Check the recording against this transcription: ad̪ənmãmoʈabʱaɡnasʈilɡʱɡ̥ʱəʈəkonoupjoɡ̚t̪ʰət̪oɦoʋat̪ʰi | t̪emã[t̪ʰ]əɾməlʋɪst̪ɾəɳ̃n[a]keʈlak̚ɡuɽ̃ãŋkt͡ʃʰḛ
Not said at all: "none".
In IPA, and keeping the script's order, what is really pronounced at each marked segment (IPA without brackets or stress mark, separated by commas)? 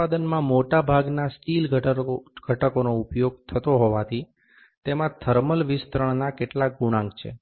t̪ʰ, a